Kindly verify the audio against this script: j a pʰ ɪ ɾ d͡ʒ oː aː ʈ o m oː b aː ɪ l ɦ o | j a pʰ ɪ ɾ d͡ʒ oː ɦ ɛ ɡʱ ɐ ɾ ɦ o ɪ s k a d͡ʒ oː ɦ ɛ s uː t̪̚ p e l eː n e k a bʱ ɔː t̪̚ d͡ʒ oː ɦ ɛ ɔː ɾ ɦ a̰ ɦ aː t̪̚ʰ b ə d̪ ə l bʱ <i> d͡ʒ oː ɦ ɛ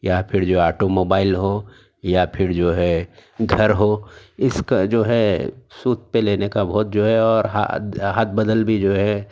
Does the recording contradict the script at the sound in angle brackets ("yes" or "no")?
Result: no